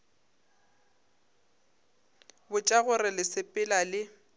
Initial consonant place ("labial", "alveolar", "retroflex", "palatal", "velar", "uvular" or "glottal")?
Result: labial